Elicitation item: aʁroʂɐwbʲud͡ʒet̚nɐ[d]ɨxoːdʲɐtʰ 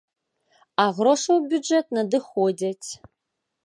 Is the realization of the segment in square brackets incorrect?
no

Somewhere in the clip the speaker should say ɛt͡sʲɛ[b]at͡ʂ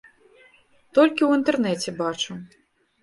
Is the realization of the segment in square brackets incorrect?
no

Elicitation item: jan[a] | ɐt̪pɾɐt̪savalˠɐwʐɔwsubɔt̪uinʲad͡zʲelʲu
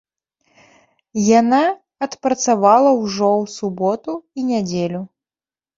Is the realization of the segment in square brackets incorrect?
no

